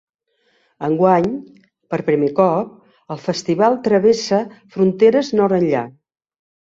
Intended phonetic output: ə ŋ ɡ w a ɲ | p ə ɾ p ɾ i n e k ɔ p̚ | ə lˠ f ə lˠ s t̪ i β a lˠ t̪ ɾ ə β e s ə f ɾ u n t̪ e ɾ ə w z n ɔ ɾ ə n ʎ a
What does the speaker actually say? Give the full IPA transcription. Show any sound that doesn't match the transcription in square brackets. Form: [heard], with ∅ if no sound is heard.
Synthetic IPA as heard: ə ŋ ɡ w a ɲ | p ə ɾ p ɾ i [m] e k ɔ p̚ | ə lˠ f ə [∅] s t̪ i β a lˠ t̪ ɾ ə β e s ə f ɾ u n t̪ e ɾ ə [∅] z n ɔ ɾ ə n ʎ a